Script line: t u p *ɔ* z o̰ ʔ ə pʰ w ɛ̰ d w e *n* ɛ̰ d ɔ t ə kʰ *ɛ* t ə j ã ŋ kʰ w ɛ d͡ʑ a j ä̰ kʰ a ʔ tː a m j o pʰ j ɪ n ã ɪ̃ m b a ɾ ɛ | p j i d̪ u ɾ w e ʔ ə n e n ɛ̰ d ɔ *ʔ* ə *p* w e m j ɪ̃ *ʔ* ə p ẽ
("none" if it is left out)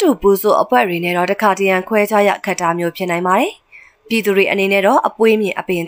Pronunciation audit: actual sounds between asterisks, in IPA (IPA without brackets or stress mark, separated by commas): u, n, a, ʔ, p, ʔ